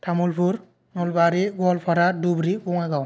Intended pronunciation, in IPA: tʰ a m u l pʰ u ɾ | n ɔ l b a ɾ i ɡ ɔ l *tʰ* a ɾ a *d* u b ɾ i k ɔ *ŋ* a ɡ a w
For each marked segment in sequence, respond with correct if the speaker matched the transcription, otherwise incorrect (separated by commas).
incorrect, correct, correct